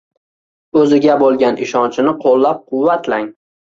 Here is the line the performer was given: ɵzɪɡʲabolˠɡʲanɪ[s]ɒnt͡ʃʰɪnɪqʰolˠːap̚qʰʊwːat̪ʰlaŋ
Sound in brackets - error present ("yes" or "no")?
yes